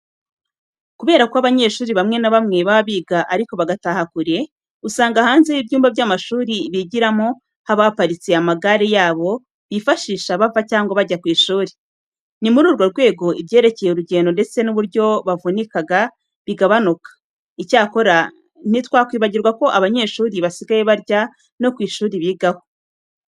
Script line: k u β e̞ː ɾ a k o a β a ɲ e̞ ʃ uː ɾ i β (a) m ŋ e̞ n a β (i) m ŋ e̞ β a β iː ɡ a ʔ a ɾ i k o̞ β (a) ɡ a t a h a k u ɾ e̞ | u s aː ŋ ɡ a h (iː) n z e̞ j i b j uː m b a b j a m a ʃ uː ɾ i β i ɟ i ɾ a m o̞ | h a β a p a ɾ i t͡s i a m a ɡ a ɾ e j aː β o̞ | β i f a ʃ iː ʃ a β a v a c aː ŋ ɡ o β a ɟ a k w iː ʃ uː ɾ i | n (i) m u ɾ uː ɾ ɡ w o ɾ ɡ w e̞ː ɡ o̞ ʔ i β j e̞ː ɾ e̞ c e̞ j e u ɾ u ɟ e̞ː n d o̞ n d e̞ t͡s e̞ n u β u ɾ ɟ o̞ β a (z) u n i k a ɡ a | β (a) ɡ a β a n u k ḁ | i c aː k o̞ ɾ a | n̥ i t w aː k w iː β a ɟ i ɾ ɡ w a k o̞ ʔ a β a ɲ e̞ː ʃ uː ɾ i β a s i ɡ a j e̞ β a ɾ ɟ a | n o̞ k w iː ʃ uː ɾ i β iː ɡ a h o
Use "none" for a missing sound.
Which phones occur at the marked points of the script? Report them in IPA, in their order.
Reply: a, a, a, aː, i, v, i

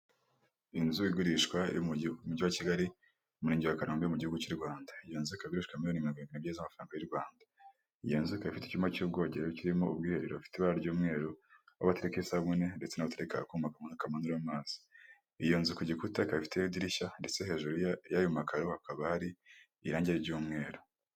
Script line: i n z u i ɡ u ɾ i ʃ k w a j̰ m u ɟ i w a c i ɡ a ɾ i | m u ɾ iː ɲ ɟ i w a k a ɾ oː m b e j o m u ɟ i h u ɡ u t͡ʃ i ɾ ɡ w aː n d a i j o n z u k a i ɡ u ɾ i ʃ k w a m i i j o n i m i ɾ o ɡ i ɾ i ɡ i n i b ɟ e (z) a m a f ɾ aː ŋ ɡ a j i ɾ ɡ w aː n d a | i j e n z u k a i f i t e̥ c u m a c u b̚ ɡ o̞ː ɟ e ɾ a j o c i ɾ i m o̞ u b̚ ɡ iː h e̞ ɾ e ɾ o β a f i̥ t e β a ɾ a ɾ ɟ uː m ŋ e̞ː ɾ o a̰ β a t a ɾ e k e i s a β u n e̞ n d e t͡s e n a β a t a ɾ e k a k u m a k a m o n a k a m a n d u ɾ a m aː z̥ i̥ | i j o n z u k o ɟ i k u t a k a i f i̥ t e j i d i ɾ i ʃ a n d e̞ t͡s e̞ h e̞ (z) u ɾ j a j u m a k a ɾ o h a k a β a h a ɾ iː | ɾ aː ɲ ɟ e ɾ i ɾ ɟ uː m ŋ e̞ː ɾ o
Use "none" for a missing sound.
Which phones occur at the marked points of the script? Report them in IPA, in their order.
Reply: z, ʒ

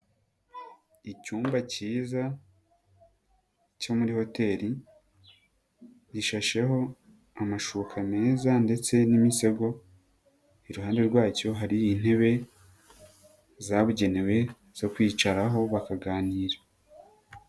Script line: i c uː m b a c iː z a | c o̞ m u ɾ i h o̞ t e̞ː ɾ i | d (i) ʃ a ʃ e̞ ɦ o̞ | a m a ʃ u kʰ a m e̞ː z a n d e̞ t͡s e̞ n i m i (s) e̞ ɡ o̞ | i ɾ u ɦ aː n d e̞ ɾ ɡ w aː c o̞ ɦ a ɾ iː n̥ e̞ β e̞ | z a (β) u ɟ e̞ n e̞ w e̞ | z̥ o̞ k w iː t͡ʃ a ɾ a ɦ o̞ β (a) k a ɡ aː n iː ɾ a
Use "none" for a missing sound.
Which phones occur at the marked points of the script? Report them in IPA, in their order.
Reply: i, s, β, a

